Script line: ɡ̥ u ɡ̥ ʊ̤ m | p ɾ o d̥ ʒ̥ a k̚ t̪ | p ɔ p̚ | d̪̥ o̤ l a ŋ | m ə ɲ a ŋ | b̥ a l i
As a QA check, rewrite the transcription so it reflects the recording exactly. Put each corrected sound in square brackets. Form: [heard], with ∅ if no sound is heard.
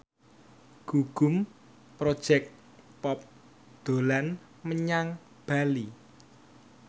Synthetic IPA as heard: ɡ̥ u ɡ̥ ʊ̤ m | p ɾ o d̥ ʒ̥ [ɛ] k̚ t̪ | p ɔ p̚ | d̪̥ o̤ l a [n] | m ə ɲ a ŋ | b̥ a l i